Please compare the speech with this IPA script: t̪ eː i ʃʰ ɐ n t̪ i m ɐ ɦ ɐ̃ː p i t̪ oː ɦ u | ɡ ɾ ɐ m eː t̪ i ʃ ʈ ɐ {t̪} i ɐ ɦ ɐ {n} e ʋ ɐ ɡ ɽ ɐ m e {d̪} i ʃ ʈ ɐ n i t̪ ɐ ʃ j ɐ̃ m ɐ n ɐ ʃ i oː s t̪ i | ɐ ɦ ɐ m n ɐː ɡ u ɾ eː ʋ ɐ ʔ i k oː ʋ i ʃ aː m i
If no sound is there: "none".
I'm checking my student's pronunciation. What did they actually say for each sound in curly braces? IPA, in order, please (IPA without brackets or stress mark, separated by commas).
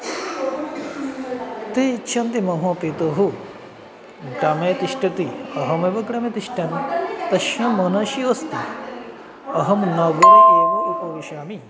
t̪, m, t̪